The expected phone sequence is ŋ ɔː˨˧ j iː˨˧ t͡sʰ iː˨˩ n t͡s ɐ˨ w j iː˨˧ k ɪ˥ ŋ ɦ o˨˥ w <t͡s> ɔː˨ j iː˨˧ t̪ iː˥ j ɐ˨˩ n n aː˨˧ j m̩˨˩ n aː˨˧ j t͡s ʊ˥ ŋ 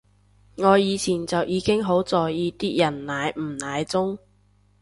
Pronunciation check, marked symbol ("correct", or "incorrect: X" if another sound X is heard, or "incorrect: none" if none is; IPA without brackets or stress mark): correct